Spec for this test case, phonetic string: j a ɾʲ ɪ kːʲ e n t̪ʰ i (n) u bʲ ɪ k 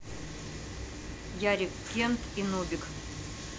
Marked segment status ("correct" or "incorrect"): correct